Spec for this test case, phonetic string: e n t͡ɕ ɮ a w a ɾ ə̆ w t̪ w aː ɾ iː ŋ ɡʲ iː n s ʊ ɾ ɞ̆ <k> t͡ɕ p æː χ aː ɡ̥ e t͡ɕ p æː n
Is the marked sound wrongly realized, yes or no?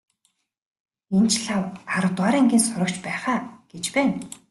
no